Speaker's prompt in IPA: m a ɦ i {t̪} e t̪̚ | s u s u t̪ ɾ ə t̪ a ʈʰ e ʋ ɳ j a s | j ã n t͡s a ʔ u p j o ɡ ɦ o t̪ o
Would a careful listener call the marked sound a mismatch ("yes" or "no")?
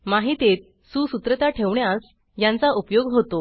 no